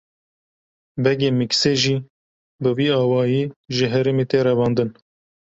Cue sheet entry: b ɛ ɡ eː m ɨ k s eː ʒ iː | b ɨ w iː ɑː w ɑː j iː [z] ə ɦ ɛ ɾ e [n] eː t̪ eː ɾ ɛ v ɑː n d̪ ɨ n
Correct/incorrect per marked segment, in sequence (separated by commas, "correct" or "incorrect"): incorrect, incorrect